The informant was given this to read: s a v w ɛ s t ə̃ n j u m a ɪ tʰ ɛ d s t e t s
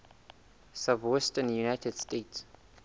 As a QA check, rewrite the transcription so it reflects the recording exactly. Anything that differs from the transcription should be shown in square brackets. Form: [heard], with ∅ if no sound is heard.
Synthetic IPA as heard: s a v w ɛ s t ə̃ n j u [n] a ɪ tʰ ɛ d s t e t s